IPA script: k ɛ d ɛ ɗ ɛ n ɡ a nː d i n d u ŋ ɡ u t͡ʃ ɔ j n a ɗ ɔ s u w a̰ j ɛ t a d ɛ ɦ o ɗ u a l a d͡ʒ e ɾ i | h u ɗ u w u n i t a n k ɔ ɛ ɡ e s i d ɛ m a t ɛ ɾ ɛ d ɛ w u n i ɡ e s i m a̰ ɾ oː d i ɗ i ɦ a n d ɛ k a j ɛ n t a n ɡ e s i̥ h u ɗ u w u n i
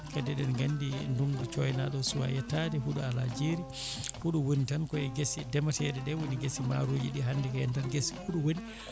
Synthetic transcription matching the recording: k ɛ d ɛ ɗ ɛ n ɡ a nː d i n d u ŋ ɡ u t͡ʃ ɔ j n a ɗ ɔ s u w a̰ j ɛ t a d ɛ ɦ u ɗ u a l a d͡ʒ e ɾ i | h u ɗ u w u n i t a n k ɔ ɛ ɡ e s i d ɛ m a t ɛ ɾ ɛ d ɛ w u n i ɡ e s i m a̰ ɾ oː d͡ʒ i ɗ i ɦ a n d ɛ k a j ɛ n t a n ɡ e s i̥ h u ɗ u w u n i

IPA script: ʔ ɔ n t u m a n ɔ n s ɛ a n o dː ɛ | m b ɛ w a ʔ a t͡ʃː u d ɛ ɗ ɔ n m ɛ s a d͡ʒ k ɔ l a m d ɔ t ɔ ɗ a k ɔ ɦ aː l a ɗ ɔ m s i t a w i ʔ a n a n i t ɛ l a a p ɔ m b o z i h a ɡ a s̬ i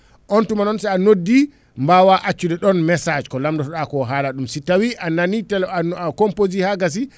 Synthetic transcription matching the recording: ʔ ɔ n t u m a n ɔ n s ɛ a n o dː i | m b a w a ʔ a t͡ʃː u d ɛ ɗ ɔ n m ɛ s a d͡ʒ k ɔ l a m d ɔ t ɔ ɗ a k ɔ ɦ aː l a ɗ u m s i t a w i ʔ a n a n i t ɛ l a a k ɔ m p o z i h a ɡ a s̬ i

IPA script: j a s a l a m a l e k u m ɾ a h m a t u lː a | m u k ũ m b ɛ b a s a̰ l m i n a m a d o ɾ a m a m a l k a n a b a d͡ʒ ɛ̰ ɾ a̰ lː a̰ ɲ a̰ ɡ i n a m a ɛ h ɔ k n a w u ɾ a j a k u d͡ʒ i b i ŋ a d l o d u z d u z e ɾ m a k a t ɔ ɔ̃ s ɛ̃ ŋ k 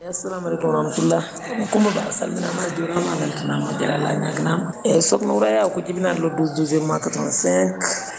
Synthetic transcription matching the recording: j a s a l a m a l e k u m ɾ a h m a t u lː a | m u k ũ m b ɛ b a s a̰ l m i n a m a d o ɾ a m a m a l k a n a m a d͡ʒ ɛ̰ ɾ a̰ l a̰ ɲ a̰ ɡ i n a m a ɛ s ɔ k n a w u ɾ a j a k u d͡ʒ i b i n a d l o d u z d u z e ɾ m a k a t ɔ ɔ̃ s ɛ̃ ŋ k

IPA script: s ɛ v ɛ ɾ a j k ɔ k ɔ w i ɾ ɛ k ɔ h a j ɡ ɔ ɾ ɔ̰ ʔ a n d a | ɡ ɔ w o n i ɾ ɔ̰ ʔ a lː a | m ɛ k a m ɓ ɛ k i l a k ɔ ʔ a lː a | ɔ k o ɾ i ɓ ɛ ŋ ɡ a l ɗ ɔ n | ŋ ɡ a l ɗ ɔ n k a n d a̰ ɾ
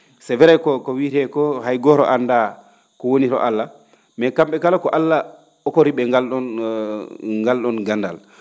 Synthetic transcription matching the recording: s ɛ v ɛ ɾ a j k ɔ k ɔ w i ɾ ɛ k ɔ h a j ɡ ɔ ɾ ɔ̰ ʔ a n d a | k ɔ w o n i ɾ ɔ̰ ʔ a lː a | m ɛ k a m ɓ ɛ k a l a k ɔ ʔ a lː a | ɔ k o ɾ i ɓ ɛ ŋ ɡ a l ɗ ɔ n | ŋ ɡ a l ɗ ɔ n ɡ a n d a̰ l

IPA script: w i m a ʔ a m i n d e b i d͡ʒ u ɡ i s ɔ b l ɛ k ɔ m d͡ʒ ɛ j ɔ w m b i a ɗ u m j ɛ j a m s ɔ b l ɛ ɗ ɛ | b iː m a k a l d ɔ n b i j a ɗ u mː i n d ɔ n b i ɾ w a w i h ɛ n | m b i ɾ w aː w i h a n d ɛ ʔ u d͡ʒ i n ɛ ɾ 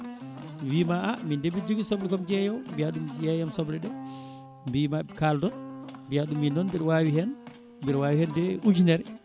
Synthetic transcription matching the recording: w i m a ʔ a m i n d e b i d͡ʒ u ɡ i s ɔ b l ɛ k ɔ m d͡ʒ ɛ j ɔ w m b i a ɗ u m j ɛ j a m s ɔ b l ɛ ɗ ɛ | b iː m a k a l d ɔ n b i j a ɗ u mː i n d ɔ n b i ɾ w a w i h ɛ n | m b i ɾ w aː w i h ɛ n d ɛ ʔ u d͡ʒ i n ɛ ɾ

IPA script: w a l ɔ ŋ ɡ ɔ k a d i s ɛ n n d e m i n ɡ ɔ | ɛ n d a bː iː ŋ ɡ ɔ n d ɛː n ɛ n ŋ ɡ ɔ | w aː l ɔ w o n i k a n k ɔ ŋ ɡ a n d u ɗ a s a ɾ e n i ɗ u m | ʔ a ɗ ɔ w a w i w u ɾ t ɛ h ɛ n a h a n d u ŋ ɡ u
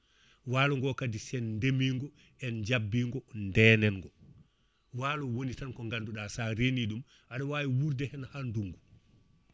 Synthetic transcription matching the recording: w a l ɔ ŋ ɡ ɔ k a d i s ɛ n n d e m i ŋ ɡ ɔ | ɛ n d͡ʒ a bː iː ŋ ɡ ɔ n d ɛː n ɛ n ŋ ɡ ɔ | w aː l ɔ w o n i t a n k ɔ ŋ ɡ a n d u ɗ a s a ɾ e n i ɗ u m | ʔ a ɗ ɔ w a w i w u ɾ d ɛ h ɛ n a h a n d u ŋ ɡ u

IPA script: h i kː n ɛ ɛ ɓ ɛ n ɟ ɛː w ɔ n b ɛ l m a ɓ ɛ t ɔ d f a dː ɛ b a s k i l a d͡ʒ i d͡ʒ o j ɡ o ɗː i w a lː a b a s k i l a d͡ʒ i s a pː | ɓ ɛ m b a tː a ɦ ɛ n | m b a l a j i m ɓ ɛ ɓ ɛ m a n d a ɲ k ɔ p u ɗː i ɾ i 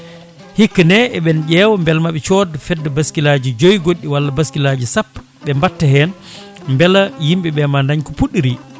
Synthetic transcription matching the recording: h i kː n ɛ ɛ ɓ ɛ n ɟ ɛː w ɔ m b ɛ l m a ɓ ɛ t͡ʃ ɔ d f ɛ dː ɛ b a s k i l a d͡ʒ i d͡ʒ o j ɡ o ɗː i w a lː a b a s k i l a d͡ʒ i s a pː | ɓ ɛ m b a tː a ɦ ɛ n | m b ɛ l a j i m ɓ ɛ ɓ ɛ m a n d a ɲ k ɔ p u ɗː i ɾ i

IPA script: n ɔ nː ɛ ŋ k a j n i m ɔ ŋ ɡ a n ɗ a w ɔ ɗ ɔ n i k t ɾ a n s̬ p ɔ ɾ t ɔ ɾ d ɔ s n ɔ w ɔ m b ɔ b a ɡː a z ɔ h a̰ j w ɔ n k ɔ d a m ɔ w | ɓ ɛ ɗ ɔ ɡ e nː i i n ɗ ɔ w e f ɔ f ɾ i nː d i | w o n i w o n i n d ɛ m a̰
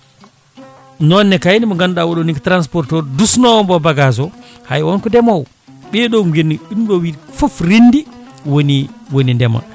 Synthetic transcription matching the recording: n ɔ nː ɛ k a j n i m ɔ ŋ ɡ a n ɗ a w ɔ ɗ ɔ n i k t ɾ a n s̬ p ɔ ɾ t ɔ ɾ d u s n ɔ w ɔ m b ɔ b a ɡ a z ɔ h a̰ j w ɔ n k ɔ d ɛ m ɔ w | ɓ ɛ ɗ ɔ ɡ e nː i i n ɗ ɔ w i f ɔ f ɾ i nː d i | w o n i w o n i n d ɛ m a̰

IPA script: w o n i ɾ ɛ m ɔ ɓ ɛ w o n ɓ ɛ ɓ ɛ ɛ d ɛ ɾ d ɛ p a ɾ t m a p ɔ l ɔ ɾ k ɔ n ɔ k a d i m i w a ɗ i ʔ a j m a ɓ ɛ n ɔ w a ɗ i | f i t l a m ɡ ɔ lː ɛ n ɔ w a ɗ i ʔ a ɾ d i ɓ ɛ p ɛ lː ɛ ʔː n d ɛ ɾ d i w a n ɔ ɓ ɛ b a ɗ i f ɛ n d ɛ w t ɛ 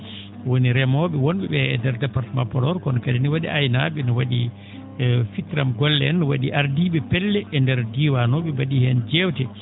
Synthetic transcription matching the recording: w o n i ɾ ɛ m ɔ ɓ ɛ w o n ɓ ɛ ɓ ɛ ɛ d ɛ ɾ d ɛ p a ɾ t m a p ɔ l ɔ ɾ k ɔ n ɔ k a d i n i w a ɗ i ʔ a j n a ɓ ɛ n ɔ w a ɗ i | f i t ɾ a m ɡ ɔ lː ɛ n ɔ w a ɗ i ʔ a ɾ d i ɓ ɛ p ɛ lː ɛ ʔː n d ɛ ɾ d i w a n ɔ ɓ ɛ b a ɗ i h ɛ n d͡ʒ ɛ w t ɛ

